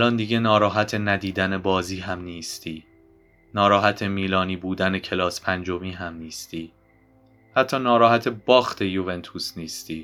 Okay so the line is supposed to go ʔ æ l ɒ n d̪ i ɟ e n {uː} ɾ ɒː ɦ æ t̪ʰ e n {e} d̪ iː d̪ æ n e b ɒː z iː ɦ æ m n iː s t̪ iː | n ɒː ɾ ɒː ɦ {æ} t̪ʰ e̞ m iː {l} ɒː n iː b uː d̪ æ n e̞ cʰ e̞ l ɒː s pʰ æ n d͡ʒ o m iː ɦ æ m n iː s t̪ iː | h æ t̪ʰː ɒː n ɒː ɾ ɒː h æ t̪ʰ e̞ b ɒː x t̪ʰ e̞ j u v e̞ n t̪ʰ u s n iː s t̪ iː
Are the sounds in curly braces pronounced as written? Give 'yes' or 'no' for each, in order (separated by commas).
no, no, yes, yes